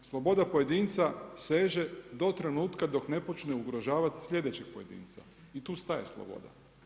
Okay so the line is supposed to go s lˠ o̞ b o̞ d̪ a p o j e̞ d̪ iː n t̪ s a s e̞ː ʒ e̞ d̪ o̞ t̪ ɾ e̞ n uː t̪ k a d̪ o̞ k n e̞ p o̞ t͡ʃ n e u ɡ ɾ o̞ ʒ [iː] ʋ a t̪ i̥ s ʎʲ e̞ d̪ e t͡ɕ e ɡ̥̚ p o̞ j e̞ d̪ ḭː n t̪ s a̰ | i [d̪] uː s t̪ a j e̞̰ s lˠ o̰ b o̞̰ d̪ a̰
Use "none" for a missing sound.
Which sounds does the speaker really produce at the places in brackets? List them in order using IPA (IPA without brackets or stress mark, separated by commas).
aː, t̪